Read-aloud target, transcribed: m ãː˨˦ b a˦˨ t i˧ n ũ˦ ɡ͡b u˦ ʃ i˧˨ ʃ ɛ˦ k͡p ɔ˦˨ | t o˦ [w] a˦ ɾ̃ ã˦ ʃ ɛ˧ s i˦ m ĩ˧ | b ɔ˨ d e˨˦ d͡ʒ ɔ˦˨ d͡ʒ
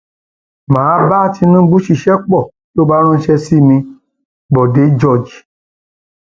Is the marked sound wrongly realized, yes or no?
yes